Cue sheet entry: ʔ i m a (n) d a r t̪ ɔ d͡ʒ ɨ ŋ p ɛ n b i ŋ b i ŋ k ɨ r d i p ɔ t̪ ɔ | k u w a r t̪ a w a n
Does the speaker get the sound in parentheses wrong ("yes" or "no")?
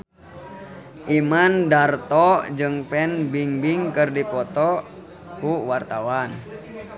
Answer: no